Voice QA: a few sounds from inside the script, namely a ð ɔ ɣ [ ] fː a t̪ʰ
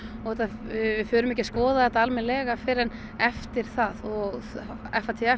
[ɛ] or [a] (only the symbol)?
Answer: ɛ